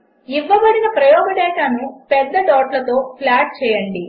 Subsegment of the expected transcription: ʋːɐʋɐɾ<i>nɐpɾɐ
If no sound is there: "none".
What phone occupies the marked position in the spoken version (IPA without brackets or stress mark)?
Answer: i